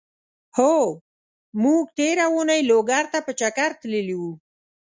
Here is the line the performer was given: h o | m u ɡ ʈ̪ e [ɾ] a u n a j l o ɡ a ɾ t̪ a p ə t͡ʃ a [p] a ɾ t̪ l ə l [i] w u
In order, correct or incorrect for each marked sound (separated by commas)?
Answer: correct, incorrect, correct